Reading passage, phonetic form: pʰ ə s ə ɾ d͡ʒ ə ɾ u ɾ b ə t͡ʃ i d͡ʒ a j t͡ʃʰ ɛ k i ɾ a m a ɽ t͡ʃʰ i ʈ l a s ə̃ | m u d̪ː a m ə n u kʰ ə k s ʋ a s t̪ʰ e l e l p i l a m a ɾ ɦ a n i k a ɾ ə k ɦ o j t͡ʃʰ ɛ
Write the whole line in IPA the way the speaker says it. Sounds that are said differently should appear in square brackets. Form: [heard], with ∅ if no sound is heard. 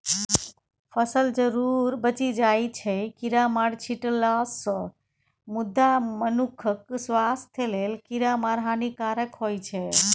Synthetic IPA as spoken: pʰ ə s ə [l] d͡ʒ ə ɾ u ɾ b ə t͡ʃ i d͡ʒ a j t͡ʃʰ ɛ k i ɾ a m a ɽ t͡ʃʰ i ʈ l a s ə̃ | m u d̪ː a m ə n u kʰ ə k s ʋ a s t̪ʰ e l e l [k] i [ɾ] a m a ɾ ɦ a n i k a ɾ ə k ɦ o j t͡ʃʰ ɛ

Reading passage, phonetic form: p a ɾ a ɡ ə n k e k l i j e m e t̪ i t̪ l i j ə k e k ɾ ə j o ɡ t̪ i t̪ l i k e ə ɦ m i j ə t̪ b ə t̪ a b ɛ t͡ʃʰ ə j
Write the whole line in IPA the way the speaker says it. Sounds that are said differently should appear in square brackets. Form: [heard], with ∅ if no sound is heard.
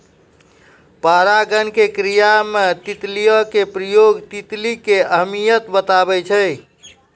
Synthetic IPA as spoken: p a ɾ a ɡ ə n k e k [ɾ] i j [a] m e t̪ i t̪ l i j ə k e [p] ɾ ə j o ɡ t̪ i t̪ l i k e ə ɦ m i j ə t̪ b ə t̪ a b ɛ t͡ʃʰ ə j

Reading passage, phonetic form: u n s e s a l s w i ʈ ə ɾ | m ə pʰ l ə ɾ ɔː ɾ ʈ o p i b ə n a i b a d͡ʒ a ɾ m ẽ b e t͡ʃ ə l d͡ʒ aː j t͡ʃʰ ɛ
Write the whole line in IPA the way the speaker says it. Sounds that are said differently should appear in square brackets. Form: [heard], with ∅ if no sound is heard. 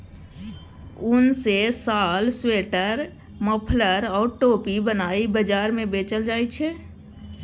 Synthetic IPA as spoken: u n s e s a l s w [e] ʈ ə ɾ | m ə pʰ l ə ɾ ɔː ɾ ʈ o p i b ə n a i b [ə] d͡ʒ a ɾ m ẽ b e t͡ʃ ə l d͡ʒ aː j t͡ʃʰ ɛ

